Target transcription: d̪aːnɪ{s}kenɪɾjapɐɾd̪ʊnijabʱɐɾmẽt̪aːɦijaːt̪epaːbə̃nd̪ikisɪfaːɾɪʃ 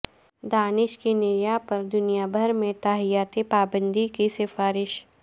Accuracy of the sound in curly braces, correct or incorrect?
incorrect